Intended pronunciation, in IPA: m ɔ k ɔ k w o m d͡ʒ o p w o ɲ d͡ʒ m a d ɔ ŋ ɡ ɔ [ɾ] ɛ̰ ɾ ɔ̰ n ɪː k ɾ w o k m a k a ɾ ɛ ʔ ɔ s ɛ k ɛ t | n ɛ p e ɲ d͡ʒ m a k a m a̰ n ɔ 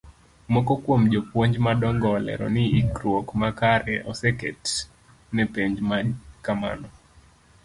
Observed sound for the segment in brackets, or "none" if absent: l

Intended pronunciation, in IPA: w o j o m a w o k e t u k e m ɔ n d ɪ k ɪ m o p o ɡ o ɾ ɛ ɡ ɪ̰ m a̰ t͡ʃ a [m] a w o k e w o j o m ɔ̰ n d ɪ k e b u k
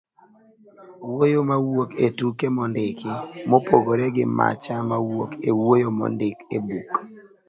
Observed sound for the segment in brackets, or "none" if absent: m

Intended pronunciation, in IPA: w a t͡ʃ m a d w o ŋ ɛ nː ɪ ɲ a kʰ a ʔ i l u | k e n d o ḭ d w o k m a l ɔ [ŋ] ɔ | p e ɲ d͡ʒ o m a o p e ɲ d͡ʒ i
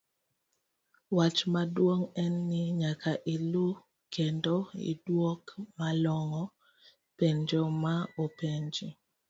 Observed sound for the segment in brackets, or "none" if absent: ŋ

